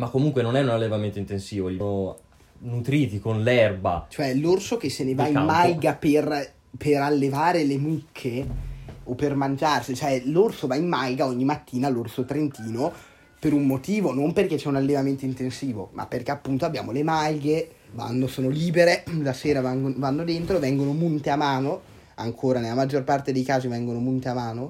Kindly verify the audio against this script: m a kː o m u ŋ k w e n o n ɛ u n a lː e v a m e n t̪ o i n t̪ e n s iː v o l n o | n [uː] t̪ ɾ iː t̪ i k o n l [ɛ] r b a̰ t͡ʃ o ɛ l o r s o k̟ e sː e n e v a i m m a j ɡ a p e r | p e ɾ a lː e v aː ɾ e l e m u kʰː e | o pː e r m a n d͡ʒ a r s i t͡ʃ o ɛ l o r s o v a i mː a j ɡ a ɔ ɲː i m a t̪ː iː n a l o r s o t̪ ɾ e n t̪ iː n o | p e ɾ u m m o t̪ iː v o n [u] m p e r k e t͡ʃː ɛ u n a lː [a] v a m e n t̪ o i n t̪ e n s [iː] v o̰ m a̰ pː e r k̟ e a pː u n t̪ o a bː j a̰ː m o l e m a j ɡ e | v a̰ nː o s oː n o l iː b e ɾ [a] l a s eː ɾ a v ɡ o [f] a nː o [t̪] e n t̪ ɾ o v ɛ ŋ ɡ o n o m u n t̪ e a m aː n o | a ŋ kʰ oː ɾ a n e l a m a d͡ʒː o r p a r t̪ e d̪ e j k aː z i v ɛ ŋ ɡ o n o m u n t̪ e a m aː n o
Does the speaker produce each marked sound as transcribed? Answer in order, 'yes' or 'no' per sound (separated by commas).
no, yes, no, no, yes, no, no, no